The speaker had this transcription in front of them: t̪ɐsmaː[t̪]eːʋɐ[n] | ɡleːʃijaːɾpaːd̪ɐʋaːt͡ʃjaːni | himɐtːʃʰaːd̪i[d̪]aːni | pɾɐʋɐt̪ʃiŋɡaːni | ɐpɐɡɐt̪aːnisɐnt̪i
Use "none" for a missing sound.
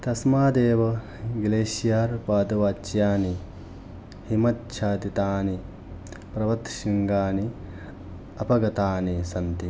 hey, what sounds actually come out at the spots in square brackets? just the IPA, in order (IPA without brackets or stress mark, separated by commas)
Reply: d̪, none, t̪